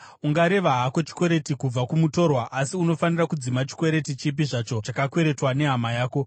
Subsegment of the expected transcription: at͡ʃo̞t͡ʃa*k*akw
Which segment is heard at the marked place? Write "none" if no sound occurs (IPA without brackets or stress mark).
k